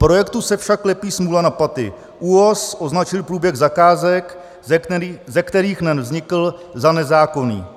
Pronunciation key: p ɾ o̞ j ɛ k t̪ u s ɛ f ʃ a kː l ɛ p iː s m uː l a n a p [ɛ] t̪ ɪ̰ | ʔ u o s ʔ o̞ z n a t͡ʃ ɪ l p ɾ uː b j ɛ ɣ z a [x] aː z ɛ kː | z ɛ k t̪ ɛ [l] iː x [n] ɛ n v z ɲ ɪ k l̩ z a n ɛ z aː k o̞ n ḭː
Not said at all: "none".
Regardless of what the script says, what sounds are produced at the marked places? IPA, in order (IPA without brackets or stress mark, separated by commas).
a, k, ɾ, n